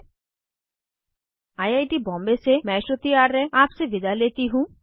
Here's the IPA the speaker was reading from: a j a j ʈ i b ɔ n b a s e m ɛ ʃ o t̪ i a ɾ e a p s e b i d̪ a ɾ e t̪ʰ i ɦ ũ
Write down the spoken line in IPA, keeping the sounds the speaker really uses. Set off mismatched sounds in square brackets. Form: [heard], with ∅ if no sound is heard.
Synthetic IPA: a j a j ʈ i b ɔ [m] b [e] s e m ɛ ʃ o t̪ i a ɾ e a p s e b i d̪ a [l] e [t̪] i ɦ ũ